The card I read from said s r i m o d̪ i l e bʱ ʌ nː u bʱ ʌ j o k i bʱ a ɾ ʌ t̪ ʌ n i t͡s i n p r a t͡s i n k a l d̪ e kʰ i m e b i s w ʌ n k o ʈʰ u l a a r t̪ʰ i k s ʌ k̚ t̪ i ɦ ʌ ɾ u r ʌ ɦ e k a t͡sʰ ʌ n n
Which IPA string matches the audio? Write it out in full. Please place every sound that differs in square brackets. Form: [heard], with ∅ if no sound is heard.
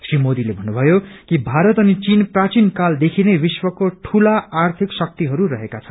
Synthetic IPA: s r i m o d̪ i l e bʱ ʌ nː u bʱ ʌ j o k i bʱ a ɾ ʌ t̪ ʌ n i t͡s i n p r a t͡s i n k a l d̪ e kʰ i [n] e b i s w ʌ [∅] k o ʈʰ u l a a r t̪ʰ i k s ʌ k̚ t̪ i ɦ ʌ ɾ u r ʌ ɦ e k a t͡sʰ ʌ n n